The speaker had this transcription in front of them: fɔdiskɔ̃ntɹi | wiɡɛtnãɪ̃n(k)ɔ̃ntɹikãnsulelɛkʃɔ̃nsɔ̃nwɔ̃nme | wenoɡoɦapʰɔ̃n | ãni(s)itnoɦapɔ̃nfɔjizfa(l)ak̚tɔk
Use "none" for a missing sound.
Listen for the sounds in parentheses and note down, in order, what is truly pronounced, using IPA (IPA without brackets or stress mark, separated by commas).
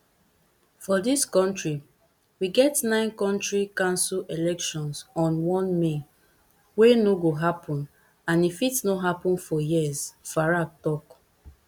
k, f, ɹ